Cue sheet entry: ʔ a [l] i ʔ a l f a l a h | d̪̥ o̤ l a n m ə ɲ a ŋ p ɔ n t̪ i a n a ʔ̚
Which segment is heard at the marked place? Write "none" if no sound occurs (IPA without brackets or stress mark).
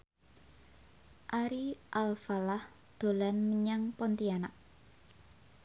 ɾ